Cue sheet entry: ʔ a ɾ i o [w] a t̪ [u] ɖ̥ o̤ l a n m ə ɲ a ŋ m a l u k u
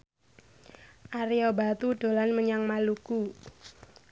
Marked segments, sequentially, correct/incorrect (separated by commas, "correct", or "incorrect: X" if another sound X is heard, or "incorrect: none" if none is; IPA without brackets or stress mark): incorrect: b, correct